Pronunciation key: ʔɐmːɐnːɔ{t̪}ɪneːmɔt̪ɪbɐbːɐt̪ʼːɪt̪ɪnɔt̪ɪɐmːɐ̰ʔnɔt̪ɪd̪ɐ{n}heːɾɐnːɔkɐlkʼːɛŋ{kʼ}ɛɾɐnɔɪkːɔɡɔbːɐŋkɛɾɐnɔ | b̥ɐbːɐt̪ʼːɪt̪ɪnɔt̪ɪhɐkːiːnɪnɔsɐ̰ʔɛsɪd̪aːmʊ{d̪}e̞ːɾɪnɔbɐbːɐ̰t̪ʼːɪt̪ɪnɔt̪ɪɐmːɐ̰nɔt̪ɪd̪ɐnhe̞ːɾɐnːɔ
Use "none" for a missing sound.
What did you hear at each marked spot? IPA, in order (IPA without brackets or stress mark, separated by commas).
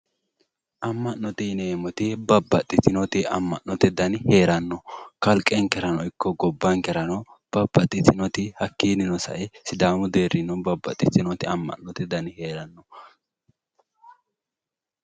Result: t̪, n, k, d̪